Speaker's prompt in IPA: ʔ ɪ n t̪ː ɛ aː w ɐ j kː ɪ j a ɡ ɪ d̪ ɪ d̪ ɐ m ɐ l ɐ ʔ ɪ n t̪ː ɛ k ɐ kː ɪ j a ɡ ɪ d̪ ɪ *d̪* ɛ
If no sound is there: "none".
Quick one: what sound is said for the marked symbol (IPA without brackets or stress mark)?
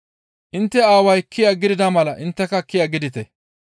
t̪